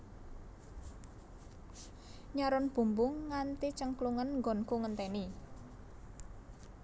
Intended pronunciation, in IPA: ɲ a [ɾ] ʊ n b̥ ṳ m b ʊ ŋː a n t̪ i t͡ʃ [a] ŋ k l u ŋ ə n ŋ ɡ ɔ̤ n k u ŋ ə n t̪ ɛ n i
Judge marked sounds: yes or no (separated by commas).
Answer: yes, no